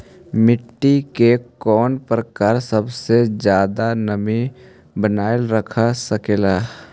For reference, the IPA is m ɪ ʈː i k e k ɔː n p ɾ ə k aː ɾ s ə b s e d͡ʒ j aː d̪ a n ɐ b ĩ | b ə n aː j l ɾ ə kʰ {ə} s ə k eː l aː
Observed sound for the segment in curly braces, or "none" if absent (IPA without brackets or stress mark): a